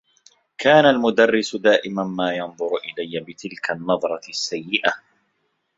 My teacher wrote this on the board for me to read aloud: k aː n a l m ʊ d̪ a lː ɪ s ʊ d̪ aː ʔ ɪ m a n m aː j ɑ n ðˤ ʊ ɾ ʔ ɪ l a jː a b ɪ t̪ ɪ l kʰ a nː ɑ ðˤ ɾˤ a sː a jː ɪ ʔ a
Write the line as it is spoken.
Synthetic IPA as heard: k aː n a l m ʊ d̪ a rː ɪ s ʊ d̪ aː ʔ ɪ m a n m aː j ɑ n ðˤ ʊ ɾ ʔ ɪ l a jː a b ɪ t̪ ɪ l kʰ a nː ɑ ðˤ ɾˤ ɑ sː a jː ɪ ʔ a

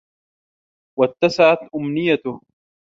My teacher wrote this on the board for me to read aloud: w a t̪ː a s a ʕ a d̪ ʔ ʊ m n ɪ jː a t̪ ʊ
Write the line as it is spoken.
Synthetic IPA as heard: w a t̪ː a s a ʕ a t̪ ʔ ʊ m n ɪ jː a t̪ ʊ

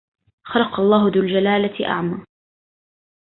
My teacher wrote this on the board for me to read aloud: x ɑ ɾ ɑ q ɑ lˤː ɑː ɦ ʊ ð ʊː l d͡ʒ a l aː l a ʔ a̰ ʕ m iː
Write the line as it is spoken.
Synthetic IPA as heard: x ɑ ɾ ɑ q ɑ lˤː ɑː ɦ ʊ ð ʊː l d͡ʒ a l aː l a ʔ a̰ ʕ m aː

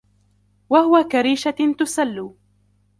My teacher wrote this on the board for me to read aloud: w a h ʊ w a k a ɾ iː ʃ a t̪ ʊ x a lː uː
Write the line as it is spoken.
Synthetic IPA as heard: w a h ʊ w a k a ɾ iː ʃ a t̪ ʊ s a lː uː

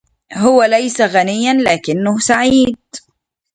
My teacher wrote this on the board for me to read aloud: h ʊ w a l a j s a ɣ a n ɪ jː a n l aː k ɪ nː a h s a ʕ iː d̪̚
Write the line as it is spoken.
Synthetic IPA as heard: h ʊ w a l a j s a ɣ a n ɪ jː a n l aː k ɪ nː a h s a ʕ iː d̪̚

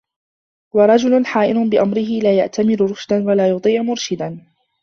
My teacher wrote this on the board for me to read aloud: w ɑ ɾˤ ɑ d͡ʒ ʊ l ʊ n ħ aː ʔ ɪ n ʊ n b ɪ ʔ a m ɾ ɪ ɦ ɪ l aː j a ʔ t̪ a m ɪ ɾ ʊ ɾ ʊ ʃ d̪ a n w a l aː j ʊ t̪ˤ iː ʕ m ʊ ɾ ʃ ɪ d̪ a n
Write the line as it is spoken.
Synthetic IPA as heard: w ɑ ɾˤ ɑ d͡ʒ ʊ l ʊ n ħ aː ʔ ɪ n ʊ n b ɪ ʔ a m ɾ ɪ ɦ ɪ l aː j a ʔ t̪ a m ɪ ɾ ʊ ɾ ʊ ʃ d̪ a n w a l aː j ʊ t̪ˤ iː ʕ m ʊ ɾ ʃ ɪ d̪ a n

